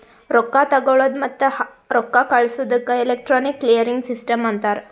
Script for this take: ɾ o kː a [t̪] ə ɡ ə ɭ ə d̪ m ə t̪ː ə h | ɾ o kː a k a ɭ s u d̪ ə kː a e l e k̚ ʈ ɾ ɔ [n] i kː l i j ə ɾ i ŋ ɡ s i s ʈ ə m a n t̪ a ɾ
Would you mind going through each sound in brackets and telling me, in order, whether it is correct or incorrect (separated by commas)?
correct, correct